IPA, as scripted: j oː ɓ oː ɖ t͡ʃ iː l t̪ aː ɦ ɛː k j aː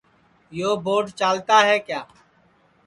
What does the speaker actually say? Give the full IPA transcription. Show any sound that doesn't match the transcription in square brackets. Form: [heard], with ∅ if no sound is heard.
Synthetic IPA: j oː [b] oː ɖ t͡ʃ [aː] l t̪ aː ɦ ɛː k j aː